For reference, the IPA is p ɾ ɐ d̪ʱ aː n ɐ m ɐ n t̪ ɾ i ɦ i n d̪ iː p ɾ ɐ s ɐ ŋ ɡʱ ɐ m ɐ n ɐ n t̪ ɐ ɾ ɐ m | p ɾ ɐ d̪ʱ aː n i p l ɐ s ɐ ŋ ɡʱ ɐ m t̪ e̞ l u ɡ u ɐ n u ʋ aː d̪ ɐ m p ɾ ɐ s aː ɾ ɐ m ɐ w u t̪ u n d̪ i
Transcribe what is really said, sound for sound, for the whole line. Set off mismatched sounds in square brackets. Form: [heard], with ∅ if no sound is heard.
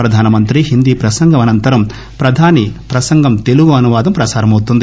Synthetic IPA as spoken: p ɾ ɐ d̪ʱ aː n ɐ m ɐ n t̪ ɾ i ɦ i n d̪ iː p ɾ ɐ s ɐ ŋ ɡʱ ɐ m ɐ n ɐ n t̪ ɐ ɾ ɐ m | p ɾ ɐ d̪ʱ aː n i p [ɾ] ɐ s ɐ ŋ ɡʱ ɐ m t̪ e̞ l u ɡ u ɐ n u ʋ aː d̪ ɐ m p ɾ ɐ s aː ɾ ɐ m ɐ w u t̪ u n d̪ i